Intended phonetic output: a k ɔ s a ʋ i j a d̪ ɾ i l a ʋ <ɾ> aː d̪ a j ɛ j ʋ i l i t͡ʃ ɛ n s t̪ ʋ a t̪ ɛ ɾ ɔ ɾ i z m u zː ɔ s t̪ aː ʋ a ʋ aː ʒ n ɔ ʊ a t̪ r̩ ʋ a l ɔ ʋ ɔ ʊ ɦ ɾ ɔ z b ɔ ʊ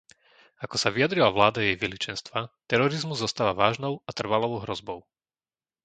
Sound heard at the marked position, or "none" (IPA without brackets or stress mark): l